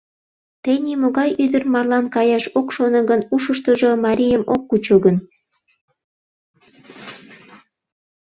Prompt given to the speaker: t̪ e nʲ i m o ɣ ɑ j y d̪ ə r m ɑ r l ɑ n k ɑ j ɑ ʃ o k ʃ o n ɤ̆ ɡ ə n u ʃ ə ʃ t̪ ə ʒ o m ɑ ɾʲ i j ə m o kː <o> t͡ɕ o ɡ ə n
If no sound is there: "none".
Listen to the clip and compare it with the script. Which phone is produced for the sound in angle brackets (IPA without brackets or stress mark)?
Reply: u